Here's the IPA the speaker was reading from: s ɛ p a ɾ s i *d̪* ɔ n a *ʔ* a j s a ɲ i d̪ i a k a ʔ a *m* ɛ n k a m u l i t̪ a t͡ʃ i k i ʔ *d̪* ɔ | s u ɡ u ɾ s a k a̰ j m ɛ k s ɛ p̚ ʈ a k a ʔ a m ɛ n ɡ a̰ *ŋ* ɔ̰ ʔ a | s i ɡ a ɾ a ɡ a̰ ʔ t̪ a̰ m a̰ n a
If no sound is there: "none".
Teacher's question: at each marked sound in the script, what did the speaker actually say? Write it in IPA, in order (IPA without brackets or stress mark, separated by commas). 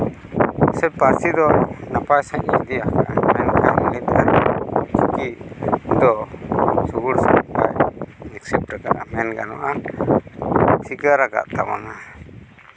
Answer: d̪, p, m, d̪, n